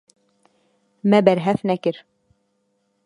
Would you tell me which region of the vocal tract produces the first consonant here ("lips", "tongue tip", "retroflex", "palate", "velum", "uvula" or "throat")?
lips